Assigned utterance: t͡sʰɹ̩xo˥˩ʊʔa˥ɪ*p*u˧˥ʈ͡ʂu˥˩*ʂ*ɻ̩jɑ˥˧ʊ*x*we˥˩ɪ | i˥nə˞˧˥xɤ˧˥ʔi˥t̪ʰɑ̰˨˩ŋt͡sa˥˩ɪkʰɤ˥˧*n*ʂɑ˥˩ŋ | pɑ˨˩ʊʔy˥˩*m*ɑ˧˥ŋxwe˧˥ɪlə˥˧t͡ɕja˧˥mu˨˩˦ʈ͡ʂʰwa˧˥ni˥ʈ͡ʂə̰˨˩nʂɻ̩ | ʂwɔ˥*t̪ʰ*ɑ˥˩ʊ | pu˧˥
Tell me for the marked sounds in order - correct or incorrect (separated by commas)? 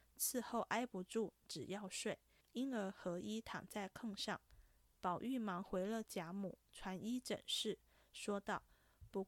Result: correct, incorrect, incorrect, incorrect, correct, incorrect